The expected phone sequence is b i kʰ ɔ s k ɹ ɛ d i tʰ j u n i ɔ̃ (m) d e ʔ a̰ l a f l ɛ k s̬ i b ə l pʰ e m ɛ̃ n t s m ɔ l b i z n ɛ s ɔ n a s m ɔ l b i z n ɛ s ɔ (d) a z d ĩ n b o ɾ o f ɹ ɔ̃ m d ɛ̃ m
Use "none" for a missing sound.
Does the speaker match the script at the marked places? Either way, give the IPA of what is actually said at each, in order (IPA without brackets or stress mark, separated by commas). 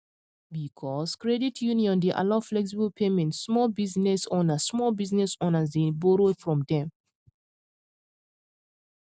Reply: n, n